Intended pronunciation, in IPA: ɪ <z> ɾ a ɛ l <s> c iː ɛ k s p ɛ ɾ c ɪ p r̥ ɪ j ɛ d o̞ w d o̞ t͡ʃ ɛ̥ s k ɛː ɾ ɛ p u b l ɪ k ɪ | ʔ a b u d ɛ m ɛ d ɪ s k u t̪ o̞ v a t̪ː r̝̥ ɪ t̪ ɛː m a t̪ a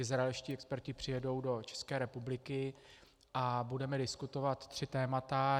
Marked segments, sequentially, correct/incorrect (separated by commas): correct, incorrect